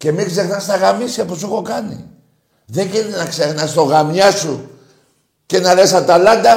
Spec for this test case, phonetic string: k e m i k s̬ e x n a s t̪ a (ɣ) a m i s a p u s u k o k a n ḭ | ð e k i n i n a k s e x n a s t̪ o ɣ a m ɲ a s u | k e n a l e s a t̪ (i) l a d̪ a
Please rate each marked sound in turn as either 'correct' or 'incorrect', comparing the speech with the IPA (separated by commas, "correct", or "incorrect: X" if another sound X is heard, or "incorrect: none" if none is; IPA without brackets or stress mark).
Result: correct, incorrect: a